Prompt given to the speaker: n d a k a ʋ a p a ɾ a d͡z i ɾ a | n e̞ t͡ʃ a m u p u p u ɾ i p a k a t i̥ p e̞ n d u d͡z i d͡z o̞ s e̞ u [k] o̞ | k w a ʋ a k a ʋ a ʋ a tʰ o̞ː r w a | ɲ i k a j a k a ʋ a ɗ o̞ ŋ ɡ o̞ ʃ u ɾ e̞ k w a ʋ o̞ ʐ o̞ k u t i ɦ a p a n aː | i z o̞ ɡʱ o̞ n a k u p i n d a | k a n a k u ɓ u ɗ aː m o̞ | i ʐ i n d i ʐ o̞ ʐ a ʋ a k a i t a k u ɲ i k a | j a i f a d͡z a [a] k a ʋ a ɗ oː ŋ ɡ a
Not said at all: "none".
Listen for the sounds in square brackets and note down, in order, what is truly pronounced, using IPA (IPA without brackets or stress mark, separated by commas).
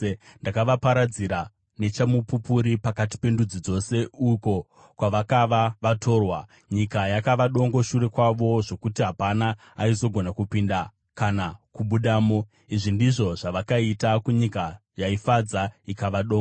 k, i